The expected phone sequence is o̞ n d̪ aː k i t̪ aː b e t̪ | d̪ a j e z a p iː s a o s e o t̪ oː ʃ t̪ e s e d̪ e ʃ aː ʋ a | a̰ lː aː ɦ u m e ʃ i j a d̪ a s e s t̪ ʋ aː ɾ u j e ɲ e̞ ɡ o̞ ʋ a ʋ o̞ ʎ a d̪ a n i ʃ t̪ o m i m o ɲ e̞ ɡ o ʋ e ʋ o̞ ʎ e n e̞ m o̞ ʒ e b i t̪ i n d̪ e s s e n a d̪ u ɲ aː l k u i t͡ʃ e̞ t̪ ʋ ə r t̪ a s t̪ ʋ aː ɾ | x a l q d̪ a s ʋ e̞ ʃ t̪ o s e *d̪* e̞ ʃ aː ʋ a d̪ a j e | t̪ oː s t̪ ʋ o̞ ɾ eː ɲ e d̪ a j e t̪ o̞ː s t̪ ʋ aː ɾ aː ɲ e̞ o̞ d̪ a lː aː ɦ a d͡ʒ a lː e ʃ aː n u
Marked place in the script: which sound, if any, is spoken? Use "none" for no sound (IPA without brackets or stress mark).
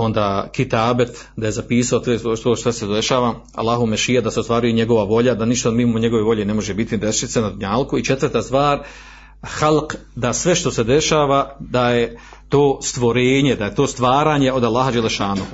d̪